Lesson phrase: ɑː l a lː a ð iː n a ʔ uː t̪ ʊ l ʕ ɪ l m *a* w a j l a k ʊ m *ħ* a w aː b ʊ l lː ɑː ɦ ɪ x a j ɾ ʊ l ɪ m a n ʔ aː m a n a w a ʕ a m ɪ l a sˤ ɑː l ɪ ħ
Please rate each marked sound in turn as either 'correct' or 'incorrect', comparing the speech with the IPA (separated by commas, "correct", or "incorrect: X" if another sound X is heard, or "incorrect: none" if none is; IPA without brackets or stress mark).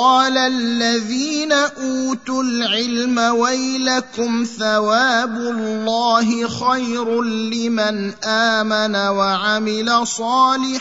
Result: correct, incorrect: θ